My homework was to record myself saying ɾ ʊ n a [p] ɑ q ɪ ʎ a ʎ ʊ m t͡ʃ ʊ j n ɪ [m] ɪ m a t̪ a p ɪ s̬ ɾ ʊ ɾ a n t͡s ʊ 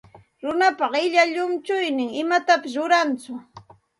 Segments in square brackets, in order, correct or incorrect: correct, incorrect

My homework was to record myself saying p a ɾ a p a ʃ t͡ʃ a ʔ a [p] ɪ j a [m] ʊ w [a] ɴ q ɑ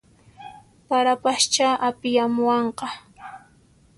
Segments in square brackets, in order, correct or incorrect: correct, correct, incorrect

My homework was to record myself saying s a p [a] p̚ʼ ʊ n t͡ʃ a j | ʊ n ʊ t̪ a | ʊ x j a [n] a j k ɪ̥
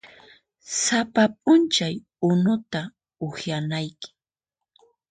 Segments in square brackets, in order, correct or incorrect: correct, correct

